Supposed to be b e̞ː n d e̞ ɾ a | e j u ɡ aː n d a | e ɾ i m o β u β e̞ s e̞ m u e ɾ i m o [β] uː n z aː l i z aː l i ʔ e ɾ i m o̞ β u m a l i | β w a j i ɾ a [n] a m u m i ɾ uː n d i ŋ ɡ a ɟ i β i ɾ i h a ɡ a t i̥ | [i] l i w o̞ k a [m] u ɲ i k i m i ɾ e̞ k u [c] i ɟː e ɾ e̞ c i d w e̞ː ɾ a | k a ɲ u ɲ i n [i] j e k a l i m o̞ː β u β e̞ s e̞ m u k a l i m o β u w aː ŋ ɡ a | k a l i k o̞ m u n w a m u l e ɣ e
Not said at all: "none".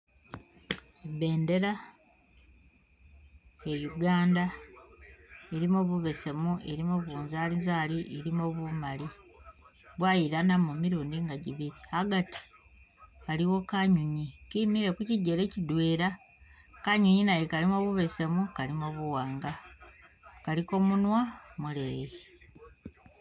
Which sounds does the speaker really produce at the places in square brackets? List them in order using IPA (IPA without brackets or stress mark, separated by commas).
β, n, a, ɲ, c, a